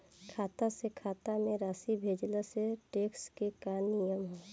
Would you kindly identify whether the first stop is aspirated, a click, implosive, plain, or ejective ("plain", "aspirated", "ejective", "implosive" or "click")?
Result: aspirated